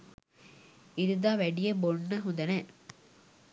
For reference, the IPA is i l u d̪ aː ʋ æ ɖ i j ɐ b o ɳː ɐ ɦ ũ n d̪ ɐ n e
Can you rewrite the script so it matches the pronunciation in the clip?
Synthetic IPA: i ɾ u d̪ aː ʋ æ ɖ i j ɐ b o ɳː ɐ ɦ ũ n d̪ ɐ n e